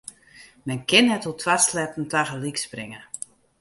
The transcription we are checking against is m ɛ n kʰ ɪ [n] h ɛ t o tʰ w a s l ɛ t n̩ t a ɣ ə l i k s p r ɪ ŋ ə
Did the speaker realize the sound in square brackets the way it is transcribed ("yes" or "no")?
yes